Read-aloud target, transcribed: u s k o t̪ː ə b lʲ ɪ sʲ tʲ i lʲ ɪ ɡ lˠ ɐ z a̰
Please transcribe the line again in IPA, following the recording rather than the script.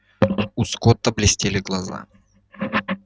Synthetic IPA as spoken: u s k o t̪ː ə b lʲ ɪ sʲ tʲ e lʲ ɪ ɡ lˠ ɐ z a̰